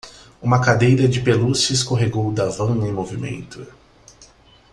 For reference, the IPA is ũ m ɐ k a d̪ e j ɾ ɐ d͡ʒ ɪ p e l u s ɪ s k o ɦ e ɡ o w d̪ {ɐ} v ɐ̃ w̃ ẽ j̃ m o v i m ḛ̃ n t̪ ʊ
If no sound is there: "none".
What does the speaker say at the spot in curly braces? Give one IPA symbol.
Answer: a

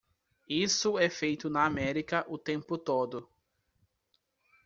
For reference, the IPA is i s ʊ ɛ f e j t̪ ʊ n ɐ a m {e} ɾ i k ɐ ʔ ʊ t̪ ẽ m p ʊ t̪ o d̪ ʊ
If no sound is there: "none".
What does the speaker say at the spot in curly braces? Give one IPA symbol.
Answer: ɛ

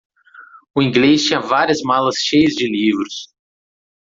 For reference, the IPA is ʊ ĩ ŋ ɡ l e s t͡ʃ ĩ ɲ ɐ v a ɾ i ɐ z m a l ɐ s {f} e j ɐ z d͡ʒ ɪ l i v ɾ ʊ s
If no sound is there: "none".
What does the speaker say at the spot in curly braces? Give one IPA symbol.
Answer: ʃ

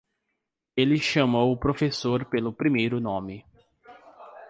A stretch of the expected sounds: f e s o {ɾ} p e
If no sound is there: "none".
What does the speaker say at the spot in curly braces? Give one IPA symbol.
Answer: ɾ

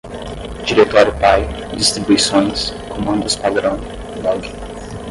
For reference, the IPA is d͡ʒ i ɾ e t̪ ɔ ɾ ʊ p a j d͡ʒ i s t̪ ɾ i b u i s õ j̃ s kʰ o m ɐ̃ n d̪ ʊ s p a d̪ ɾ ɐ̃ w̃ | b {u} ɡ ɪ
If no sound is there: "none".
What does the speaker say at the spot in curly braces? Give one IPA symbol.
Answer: ɔ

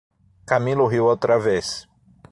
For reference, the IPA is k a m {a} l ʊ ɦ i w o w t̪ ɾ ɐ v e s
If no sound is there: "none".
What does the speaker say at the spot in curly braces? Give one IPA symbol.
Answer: i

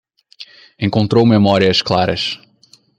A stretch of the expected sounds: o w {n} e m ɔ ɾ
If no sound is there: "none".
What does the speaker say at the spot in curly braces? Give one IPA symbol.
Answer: m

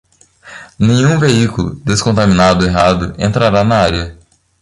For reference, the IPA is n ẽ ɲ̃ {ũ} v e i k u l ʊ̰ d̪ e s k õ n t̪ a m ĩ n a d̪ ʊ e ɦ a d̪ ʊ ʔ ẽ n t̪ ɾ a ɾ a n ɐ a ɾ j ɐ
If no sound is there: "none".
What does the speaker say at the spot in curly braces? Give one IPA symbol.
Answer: ũ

